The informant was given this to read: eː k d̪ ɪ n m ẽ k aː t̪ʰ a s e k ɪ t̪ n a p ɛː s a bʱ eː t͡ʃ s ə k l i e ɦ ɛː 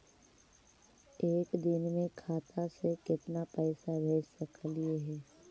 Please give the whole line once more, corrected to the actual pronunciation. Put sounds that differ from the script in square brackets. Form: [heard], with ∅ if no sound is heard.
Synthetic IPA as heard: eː k d̪ ɪ n m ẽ [kʰ] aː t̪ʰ a s e k ɪ t̪ n a p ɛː s a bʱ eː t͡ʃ s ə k l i e ɦ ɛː

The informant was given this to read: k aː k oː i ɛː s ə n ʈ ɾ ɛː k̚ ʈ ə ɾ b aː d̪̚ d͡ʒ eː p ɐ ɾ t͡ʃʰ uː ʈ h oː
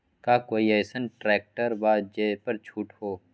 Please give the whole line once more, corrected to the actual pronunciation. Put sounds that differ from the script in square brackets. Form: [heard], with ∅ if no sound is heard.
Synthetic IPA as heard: k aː k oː i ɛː s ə n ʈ ɾ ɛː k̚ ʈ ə ɾ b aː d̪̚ d͡ʒ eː p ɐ ɾ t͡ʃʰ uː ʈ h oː

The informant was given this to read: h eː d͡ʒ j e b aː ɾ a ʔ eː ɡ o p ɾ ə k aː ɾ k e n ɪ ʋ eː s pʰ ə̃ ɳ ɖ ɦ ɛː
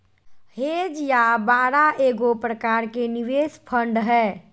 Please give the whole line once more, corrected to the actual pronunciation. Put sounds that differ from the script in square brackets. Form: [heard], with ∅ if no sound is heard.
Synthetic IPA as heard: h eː d͡ʒ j [a] b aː ɾ a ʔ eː ɡ o p ɾ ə k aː ɾ k e n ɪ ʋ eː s pʰ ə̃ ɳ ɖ ɦ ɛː

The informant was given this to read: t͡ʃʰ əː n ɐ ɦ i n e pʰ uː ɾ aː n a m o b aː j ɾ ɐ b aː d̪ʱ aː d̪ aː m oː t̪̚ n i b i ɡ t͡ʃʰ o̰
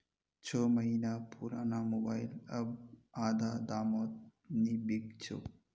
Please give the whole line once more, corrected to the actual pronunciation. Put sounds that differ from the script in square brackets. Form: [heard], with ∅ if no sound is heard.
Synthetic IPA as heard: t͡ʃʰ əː [m] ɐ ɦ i n [a] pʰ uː ɾ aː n a m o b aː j [l] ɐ b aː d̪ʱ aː d̪ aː m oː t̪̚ n i b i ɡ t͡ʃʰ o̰

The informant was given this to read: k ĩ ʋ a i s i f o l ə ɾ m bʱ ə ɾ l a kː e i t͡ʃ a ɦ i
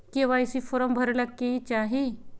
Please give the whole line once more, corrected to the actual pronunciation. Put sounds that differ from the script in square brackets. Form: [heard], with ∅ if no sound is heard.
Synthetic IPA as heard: k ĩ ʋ a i s i f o [ɾ] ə [∅] m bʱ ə ɾ l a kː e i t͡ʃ a ɦ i

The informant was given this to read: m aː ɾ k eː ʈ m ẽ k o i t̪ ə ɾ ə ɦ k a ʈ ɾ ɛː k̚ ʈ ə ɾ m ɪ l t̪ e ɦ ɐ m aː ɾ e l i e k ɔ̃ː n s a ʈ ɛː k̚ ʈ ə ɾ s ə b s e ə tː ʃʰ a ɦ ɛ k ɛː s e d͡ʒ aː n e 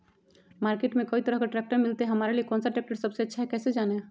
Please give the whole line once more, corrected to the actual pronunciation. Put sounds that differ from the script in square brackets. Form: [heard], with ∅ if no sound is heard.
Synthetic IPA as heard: m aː ɾ k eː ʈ m ẽ k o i t̪ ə ɾ ə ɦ k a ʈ ɾ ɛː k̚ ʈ ə ɾ m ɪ l t̪ e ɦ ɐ m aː ɾ e l i e k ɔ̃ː n s a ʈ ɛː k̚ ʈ ə ɾ s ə b s e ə tː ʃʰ a ɦ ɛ k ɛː s e d͡ʒ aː n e

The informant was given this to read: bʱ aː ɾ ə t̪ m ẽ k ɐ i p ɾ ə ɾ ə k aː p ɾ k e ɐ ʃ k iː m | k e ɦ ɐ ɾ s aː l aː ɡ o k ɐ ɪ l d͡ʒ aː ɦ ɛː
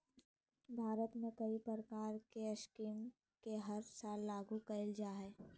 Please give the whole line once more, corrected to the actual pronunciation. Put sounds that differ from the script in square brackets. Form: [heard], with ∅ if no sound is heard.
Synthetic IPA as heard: bʱ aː ɾ ə t̪ m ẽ k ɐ i p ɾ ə ɾ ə k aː [∅] ɾ k e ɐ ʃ k iː m | k e ɦ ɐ ɾ s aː [lː] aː ɡ [u] k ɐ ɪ l d͡ʒ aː ɦ ɛː

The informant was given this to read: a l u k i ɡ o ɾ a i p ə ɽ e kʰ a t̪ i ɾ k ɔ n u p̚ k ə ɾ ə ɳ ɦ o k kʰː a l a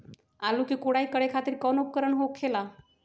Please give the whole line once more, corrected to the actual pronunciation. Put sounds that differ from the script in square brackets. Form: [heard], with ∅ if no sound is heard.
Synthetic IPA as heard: a l u k i [k] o [ɽ] a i [k] ə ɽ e kʰ a t̪ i ɾ k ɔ n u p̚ k ə ɾ ə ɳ ɦ o k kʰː [e] l a

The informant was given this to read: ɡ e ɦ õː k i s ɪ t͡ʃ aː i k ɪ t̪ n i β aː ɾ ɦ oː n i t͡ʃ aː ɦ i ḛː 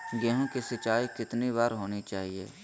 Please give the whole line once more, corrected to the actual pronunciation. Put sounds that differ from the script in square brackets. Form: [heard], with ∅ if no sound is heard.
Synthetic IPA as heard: ɡ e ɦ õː k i s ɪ t͡ʃ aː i k ɪ t̪ n i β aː ɾ ɦ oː n i t͡ʃ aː ɦ i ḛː

